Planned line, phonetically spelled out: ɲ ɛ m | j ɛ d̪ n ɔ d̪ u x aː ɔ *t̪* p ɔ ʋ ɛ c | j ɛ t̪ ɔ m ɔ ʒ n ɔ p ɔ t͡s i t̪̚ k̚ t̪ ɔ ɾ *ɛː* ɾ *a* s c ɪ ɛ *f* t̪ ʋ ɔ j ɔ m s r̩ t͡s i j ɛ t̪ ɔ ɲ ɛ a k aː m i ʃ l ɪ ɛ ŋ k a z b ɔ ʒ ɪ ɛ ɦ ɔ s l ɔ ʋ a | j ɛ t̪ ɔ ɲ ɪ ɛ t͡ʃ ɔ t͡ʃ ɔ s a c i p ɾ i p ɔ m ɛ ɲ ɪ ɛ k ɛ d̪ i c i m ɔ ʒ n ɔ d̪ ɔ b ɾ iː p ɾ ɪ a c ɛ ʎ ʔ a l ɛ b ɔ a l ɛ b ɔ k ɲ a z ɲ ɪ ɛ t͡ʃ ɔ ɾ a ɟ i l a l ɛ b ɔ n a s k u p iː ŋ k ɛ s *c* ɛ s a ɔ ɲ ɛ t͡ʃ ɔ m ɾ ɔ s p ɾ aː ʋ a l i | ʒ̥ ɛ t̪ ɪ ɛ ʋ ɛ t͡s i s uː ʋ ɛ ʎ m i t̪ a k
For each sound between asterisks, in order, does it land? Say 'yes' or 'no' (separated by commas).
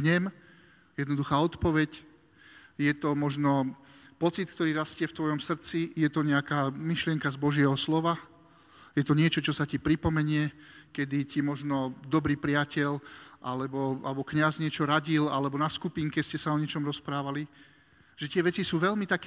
yes, no, yes, yes, yes